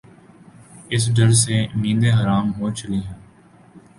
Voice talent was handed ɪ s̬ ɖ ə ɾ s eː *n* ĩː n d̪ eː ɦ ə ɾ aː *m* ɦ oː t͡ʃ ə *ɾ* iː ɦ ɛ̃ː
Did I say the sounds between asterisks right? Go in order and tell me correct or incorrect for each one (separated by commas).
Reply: incorrect, correct, incorrect